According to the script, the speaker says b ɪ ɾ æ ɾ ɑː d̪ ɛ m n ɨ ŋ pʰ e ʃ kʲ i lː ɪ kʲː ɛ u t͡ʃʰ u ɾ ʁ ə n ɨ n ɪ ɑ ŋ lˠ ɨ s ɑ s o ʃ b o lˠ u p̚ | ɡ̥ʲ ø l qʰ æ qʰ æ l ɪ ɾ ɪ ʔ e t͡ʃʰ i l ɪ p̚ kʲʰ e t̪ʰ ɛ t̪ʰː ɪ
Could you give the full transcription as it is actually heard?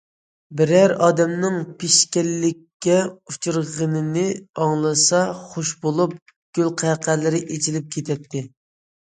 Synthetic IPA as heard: b ɪ ɾ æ ɾ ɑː d̪ ɛ m n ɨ ŋ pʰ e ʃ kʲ ɛ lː ɪ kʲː ɛ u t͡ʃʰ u ɾ ʁ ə n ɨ n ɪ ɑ ŋ lˠ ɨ s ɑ χ o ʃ b o lˠ u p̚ | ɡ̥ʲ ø l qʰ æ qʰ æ l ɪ ɾ ɪ ʔ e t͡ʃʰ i l ɪ p̚ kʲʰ e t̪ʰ ɛ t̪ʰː ɪ